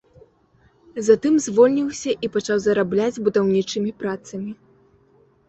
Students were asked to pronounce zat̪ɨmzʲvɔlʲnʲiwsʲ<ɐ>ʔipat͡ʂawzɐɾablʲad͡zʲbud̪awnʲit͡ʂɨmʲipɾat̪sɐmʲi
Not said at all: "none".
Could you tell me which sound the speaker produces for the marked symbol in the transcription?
ɐ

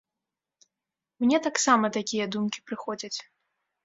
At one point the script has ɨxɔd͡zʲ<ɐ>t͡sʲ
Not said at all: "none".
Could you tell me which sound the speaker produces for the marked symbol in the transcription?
ɐ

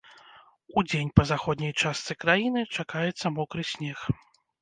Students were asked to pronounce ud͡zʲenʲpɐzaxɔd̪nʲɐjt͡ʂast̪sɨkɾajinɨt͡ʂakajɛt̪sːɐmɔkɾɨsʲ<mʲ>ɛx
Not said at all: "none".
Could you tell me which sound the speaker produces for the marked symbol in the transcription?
nʲ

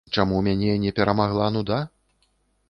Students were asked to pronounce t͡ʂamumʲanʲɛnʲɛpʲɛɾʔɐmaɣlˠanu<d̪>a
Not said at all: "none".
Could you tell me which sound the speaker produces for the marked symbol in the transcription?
d̪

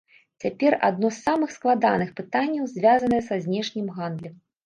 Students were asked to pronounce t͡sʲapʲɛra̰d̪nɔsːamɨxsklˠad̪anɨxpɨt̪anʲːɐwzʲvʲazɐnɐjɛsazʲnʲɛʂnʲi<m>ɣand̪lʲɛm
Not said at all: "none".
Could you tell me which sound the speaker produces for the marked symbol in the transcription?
m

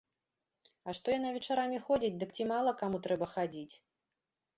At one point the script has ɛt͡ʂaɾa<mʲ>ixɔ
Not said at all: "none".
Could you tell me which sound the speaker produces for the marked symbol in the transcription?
mʲ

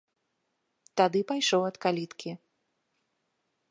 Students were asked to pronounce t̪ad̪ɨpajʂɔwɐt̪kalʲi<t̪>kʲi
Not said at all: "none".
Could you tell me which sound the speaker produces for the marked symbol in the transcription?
t̪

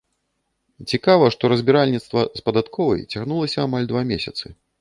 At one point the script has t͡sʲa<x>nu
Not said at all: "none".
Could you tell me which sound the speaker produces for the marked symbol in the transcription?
ɣ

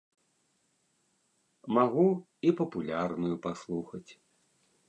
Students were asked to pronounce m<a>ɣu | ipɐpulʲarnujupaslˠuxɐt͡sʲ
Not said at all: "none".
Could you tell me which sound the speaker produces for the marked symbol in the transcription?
a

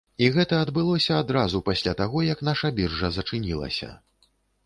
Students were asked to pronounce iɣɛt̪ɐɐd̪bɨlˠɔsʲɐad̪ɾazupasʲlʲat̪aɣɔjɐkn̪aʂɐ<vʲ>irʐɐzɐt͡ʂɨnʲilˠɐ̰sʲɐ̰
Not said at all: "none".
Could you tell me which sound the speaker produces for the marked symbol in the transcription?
bʲ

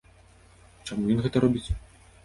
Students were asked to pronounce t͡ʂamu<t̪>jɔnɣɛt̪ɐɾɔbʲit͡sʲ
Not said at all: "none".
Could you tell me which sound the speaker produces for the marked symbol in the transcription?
none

